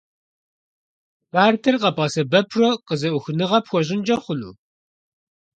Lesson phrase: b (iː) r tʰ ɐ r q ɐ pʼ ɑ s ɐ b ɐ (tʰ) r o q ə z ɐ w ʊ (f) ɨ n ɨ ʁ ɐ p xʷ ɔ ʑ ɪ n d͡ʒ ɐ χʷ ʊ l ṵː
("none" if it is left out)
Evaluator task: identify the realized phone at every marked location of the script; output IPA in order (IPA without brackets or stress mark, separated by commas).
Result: aː, pʰ, x